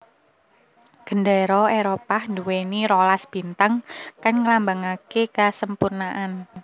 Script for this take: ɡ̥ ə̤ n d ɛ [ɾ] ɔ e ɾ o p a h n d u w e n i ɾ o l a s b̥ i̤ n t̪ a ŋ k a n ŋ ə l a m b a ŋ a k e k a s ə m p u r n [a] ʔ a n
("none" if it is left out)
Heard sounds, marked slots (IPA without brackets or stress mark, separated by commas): ɾ, a